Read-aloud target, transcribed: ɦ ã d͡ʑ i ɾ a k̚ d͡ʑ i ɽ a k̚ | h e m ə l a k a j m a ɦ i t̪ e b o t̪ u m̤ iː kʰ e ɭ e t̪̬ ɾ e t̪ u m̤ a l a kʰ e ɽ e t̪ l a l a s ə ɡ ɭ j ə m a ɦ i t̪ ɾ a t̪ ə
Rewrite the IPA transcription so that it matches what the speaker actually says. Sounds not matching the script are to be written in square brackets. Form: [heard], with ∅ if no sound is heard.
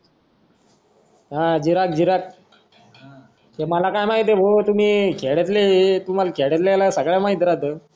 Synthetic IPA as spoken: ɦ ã d͡ʑ i ɾ a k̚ d͡ʑ i [ɾ] a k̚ | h e m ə l a k a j m a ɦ i t̪ e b o t̪ u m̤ iː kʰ e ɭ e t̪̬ [l] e t̪ u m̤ a l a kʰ e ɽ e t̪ l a l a s ə ɡ ɭ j [a] m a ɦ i t̪ ɾ a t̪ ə

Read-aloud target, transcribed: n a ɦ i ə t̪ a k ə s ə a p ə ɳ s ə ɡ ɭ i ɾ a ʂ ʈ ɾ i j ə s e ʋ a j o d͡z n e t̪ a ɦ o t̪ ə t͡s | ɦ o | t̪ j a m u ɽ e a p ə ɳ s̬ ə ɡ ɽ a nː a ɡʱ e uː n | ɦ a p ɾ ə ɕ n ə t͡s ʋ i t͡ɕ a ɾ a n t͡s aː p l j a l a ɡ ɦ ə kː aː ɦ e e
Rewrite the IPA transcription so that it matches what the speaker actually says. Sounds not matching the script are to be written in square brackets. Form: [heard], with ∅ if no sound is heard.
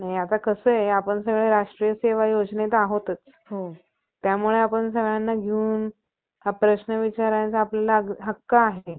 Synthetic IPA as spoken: n a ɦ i [a] t̪ a k ə s ə a p ə ɳ s ə ɡ ɭ [e] ɾ a ʂ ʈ ɾ i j ə s e ʋ a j o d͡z n e t̪ a ɦ o t̪ ə t͡s | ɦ o | t̪ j a m u [ɭ] e a p ə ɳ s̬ ə ɡ [ɭ] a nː a ɡʱ e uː n | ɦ a p ɾ ə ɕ n ə [∅] ʋ i t͡ɕ a ɾ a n t͡s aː p l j a l a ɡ ɦ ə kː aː ɦ e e

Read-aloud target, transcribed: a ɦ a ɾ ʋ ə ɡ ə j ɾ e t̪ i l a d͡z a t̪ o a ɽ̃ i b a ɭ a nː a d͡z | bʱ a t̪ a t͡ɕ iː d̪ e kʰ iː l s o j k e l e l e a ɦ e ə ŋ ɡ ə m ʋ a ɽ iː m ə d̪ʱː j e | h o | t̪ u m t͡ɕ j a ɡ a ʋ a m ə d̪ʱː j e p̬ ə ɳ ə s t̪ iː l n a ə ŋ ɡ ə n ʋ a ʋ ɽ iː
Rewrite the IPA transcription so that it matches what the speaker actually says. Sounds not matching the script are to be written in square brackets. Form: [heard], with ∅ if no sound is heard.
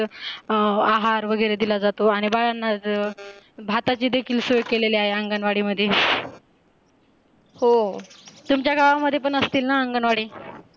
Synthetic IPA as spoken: a ɦ a ɾ ʋ ə ɡ ə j ɾ e [d̪] i l a d͡z a t̪ o a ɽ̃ i b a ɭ a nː a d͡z | bʱ a t̪ a t͡ɕ iː d̪ e kʰ iː l s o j k e l e l e a ɦ e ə ŋ ɡ ə [n] ʋ a ɽ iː m ə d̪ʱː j e | h o | t̪ u m t͡ɕ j a ɡ a ʋ a m ə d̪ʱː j e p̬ ə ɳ ə s t̪ iː l n a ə ŋ ɡ ə n ʋ a [∅] ɽ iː

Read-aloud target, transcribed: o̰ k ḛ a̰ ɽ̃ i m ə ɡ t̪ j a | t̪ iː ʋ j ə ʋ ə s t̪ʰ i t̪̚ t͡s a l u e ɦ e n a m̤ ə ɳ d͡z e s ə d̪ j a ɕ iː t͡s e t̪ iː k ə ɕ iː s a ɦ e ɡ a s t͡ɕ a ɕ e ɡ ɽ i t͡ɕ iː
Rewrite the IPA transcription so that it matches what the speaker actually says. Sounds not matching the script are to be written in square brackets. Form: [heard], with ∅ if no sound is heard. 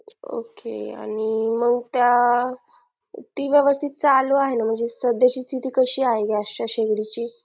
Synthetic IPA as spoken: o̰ k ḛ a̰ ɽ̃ i m ə ɡ t̪ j a | t̪ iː ʋ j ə ʋ ə s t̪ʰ i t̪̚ t͡s a l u [a] ɦ e n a m̤ ə ɳ d͡z e s ə d̪ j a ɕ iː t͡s [i] t̪ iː k ə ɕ iː [∅] a ɦ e ɡ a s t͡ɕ a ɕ e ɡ ɽ i t͡ɕ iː

